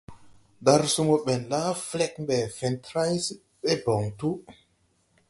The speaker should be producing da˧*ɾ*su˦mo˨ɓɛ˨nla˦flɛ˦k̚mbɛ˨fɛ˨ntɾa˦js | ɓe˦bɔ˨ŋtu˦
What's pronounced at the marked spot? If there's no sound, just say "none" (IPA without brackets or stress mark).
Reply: ɾ